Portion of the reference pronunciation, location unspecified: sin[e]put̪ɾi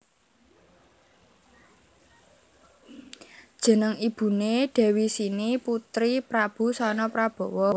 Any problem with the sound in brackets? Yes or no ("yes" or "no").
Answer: yes